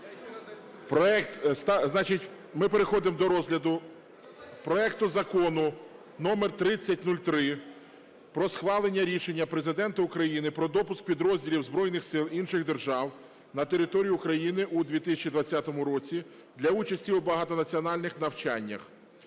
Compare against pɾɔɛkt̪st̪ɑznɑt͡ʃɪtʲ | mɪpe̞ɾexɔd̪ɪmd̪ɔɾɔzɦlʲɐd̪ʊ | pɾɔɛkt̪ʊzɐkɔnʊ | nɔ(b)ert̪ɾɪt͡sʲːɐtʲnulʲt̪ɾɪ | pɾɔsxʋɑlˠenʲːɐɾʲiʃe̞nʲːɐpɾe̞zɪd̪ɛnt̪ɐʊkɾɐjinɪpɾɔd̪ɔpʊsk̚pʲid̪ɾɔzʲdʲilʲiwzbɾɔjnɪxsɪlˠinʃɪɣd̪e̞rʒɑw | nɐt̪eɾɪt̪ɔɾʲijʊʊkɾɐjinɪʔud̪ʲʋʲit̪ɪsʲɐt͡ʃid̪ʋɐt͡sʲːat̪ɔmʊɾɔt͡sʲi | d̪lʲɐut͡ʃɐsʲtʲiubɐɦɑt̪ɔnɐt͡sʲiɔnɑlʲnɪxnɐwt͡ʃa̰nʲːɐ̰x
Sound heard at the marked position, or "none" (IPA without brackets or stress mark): m